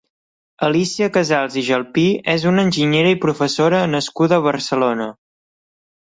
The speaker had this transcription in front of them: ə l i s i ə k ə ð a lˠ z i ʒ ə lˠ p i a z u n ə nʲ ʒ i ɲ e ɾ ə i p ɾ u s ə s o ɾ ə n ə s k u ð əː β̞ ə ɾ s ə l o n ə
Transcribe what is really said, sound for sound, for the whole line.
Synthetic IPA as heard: ə l i s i ə k ə z a lˠ z i ʒ ə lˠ p i ɛ z u n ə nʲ ʒ i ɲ e ɾ ə i p ɾ u f ə s o ɾ ə n ə s k u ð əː β̞ ə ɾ s ə l o n ə